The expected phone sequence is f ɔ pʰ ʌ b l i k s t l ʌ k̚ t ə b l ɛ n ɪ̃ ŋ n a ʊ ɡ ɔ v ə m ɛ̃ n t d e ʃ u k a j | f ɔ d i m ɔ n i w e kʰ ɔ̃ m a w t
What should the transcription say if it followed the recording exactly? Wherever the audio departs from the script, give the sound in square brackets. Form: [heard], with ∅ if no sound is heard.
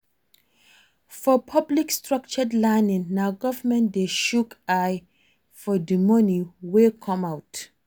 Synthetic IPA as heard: f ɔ pʰ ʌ b l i k s t [ɹ] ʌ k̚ [t͡ʃ] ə [d] l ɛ n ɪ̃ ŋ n a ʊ ɡ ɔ v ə m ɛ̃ n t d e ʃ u k a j | f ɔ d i m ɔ n i w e kʰ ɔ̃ m a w t